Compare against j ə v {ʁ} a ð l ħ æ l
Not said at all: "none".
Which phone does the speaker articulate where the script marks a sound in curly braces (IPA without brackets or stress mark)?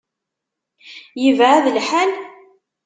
ʕ